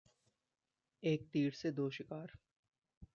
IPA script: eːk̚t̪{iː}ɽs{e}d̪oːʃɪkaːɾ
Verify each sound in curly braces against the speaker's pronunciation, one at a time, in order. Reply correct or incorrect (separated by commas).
correct, correct